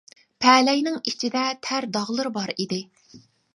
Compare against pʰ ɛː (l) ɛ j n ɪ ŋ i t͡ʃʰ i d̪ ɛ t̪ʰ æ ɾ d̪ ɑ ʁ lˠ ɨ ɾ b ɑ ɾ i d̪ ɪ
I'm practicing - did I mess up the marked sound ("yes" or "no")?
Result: no